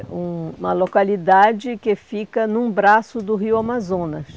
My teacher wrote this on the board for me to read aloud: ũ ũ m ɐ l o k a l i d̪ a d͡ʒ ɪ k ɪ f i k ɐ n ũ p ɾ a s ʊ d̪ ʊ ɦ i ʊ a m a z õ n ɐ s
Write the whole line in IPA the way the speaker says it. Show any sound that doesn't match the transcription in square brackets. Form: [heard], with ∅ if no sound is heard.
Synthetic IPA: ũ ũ m ɐ l o k a l i d̪ a d͡ʒ ɪ k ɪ f i k ɐ n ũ [b] ɾ a s ʊ d̪ ʊ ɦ i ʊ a m a z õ n ɐ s